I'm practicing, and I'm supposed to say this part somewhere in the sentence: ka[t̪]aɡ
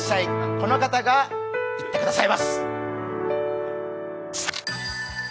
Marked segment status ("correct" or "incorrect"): correct